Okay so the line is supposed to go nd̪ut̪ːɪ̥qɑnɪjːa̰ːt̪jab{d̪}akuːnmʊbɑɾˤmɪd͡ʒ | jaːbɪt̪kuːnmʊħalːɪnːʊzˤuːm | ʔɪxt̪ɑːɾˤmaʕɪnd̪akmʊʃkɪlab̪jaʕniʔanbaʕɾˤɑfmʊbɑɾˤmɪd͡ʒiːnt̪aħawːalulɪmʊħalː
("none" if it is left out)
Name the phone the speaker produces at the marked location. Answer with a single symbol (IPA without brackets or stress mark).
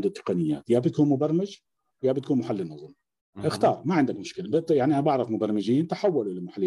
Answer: t̪